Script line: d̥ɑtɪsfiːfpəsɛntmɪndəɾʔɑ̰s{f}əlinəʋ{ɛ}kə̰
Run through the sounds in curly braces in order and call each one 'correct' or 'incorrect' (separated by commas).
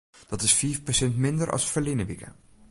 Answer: correct, incorrect